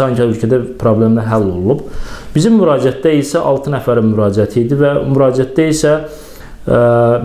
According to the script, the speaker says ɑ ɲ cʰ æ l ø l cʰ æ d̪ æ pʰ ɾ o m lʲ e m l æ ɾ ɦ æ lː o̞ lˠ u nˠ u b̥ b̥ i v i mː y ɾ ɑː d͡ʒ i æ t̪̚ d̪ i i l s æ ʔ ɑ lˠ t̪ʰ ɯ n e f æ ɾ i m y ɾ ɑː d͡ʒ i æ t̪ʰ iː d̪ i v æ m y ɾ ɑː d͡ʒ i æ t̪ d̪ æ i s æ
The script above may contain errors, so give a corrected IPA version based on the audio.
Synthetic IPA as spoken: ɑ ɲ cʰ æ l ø l cʰ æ d̪ æ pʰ ɾ o b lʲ e m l æ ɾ ɦ æ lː o̞ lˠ u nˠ u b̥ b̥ i z i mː y ɾ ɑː d͡ʒ i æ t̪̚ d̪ æ i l s æ ʔ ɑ lˠ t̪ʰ ɯ n æ f æ ɾ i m y ɾ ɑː d͡ʒ i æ t̪ʰ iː d̪ i v æ m y ɾ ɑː d͡ʒ i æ t̪ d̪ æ i s æ